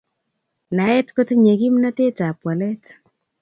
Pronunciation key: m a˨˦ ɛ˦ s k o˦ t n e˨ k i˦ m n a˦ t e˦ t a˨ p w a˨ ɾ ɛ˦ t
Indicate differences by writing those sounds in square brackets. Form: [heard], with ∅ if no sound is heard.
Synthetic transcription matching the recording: [n] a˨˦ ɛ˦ [t] k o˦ t [ɲ] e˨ k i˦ m n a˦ t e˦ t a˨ p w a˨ [l] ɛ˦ t

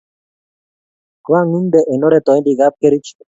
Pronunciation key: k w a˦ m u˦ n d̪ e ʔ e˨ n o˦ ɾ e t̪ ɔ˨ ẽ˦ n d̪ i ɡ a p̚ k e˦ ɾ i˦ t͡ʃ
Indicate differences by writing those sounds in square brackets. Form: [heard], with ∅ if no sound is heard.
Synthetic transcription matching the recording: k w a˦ [ŋ] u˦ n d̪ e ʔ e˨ n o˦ ɾ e t̪ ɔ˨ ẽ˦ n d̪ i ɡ a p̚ k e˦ ɾ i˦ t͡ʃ

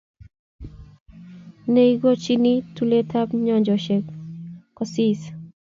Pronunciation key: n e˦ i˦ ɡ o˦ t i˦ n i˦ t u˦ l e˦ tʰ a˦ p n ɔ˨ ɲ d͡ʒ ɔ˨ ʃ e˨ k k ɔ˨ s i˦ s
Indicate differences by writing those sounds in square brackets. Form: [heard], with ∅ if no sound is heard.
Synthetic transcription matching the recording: n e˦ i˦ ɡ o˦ [t͡ʃ] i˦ n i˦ t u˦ l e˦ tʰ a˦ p [ɲ] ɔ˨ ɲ d͡ʒ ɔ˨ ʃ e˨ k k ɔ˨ s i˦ s

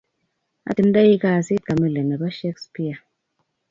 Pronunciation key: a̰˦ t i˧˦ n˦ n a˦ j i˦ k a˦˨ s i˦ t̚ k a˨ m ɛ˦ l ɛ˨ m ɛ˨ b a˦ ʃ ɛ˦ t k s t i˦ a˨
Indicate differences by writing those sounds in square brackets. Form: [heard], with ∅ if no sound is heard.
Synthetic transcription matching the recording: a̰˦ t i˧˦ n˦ [d] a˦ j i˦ k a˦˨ s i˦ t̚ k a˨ m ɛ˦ l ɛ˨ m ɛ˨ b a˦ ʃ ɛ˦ [∅] k s [p] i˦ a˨

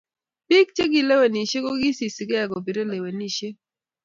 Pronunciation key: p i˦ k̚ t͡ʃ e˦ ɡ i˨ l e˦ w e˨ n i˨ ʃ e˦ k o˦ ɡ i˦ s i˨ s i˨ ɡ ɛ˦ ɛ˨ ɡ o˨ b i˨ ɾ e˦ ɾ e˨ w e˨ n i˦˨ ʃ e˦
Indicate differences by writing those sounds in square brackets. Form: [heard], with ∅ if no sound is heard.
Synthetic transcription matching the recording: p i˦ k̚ t͡ʃ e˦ ɡ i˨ l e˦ w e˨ n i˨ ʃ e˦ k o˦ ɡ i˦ s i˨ s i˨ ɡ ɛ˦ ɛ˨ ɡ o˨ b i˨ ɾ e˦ [l] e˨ w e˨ n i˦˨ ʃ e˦

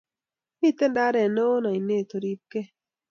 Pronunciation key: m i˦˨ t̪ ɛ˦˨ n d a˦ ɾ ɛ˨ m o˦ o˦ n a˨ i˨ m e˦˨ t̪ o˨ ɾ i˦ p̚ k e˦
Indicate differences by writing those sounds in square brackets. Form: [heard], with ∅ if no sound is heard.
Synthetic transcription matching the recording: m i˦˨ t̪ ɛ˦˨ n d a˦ ɾ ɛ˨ [n] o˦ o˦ n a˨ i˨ [n] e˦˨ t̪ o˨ ɾ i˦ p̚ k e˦

